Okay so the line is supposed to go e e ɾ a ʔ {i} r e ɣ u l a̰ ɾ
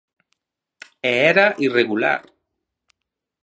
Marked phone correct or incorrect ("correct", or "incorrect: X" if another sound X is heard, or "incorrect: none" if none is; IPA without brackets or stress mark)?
correct